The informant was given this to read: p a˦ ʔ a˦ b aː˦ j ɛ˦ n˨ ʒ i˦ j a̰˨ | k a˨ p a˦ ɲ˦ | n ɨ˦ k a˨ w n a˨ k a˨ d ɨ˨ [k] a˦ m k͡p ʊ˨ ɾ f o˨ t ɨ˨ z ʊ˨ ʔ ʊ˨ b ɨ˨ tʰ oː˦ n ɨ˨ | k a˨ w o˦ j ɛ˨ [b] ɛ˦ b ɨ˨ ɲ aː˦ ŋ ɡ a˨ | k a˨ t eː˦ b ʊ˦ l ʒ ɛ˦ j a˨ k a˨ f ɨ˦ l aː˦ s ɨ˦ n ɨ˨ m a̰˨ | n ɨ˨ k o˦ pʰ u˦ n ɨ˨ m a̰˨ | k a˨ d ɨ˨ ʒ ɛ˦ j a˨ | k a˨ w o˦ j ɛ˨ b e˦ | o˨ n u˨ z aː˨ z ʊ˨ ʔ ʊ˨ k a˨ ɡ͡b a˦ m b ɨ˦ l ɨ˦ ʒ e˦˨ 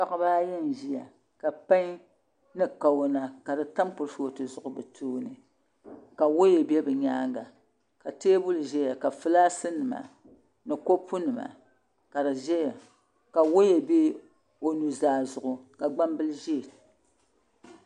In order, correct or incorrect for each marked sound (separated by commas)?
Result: incorrect, correct